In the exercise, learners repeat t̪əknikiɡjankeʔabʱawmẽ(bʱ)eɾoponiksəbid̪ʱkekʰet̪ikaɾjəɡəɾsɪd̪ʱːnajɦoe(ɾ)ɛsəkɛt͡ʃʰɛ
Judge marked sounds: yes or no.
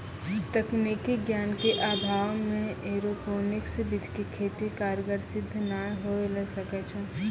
no, no

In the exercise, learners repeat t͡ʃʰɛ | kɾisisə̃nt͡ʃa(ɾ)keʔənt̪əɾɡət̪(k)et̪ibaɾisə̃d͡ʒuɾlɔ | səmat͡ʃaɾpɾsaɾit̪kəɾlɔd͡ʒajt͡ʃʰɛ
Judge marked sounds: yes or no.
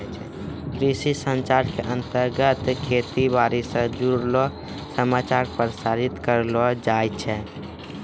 yes, no

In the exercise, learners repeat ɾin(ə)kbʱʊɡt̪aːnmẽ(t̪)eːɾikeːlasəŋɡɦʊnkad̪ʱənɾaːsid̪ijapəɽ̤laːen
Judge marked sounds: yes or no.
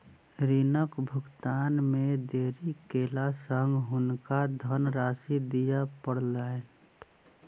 yes, no

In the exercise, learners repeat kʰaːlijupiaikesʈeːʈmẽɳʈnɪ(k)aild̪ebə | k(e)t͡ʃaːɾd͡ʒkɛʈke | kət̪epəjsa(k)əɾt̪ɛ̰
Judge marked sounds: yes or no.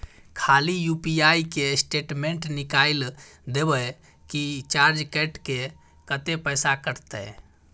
yes, no, yes

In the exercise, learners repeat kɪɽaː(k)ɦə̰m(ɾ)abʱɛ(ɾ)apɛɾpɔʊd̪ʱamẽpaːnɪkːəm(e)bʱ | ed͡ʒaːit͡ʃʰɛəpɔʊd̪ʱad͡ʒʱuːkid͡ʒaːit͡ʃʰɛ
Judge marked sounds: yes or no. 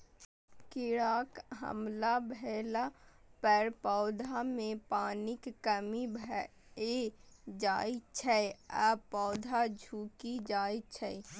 yes, no, no, no

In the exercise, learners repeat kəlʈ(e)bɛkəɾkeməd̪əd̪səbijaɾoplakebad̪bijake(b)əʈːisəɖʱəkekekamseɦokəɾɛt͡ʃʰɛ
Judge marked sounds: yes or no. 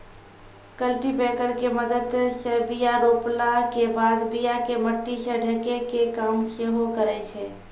no, no

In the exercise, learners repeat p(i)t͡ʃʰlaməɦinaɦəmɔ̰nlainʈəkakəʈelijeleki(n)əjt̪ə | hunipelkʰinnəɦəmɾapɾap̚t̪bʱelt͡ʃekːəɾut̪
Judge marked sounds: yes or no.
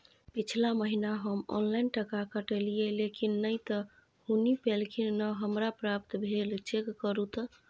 yes, no

